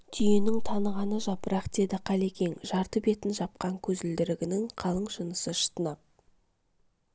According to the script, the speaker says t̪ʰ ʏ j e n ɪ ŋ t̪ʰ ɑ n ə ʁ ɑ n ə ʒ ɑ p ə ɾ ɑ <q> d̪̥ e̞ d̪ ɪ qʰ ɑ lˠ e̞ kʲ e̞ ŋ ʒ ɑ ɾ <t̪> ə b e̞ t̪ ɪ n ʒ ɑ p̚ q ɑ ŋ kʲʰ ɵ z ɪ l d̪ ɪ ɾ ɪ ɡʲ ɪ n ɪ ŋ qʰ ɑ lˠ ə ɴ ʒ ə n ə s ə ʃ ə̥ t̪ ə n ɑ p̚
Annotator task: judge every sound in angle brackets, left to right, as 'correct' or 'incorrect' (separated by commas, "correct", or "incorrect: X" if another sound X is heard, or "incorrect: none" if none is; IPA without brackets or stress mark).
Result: correct, correct